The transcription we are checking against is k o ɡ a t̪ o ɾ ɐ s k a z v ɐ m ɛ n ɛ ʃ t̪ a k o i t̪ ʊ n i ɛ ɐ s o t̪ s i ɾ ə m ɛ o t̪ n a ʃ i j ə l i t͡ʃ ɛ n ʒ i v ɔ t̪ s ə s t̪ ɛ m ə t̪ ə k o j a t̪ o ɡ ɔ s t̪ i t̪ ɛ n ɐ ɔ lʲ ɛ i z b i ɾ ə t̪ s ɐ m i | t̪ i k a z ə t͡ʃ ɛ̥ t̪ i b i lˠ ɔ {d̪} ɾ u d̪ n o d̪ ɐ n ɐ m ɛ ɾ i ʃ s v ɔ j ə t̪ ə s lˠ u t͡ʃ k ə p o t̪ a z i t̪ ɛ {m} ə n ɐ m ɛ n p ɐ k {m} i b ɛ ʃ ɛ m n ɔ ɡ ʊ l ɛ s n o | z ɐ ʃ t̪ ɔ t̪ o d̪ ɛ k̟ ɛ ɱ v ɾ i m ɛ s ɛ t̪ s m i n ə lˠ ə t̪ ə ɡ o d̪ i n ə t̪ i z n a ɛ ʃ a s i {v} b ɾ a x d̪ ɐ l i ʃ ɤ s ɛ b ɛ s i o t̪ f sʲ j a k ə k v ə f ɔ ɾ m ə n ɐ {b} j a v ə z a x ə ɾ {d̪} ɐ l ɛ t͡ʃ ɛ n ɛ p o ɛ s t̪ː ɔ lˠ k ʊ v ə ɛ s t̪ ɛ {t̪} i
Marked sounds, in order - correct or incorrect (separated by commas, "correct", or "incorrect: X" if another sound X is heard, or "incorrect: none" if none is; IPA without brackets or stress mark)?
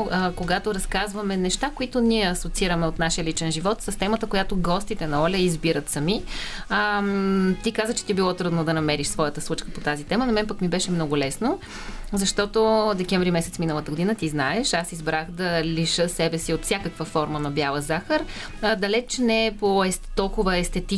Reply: incorrect: t̪, correct, correct, incorrect: z, correct, correct, correct